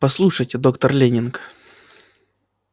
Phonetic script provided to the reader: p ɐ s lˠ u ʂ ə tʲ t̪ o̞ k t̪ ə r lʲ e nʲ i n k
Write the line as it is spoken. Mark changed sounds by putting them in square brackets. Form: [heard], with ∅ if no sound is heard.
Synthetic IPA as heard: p ɐ s lˠ u ʂ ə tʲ [d̪] o̞ k t̪ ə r lʲ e nʲ [ɪ] n k